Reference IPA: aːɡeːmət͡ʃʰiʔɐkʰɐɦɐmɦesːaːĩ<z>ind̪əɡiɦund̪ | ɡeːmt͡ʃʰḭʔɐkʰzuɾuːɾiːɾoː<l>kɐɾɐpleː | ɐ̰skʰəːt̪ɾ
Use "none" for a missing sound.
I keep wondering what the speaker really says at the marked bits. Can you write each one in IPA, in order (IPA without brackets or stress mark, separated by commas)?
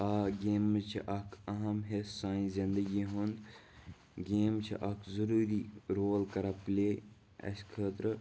z, l